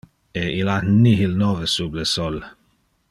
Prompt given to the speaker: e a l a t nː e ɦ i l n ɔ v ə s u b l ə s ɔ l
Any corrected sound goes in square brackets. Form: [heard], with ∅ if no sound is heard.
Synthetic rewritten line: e [i] l a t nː [i] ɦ i l n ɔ v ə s u b l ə s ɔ l